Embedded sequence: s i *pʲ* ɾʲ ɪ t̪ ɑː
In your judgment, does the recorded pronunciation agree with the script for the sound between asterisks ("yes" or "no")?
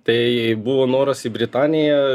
no